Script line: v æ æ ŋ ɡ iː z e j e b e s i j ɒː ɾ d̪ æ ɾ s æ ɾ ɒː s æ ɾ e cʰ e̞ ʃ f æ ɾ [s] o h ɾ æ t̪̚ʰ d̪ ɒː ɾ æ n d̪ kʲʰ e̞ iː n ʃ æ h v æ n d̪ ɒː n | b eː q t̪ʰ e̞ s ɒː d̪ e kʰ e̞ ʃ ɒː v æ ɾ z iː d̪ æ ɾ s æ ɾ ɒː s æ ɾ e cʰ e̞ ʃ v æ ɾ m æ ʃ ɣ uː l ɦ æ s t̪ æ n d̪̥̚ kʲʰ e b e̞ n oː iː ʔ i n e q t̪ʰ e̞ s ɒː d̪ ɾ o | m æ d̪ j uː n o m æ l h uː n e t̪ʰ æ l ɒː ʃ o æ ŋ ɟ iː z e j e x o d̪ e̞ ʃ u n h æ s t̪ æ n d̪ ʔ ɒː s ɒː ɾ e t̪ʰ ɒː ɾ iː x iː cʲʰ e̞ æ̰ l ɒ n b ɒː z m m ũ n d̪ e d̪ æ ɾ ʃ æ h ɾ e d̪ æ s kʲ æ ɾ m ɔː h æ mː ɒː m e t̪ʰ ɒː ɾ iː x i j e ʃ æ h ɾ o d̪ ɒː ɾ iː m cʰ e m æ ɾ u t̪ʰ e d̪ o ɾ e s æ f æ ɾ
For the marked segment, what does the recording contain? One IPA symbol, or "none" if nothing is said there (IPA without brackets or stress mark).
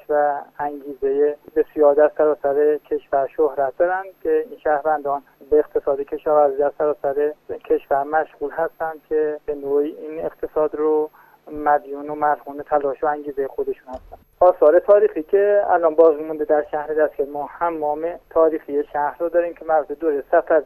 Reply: ʃ